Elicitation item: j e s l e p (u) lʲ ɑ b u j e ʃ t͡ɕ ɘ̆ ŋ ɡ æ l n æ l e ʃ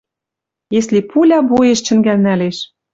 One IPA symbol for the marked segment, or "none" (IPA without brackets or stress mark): u